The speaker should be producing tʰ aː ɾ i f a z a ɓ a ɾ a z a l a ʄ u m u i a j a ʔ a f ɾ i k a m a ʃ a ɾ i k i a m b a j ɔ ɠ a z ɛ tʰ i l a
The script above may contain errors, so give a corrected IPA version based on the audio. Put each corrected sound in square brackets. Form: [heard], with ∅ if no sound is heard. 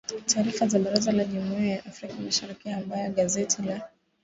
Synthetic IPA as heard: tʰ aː ɾ i f a z a ɓ a ɾ a z a l a ʄ u m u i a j a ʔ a f ɾ i k a m a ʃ a ɾ i k i a m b a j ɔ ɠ a z ɛ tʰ i l a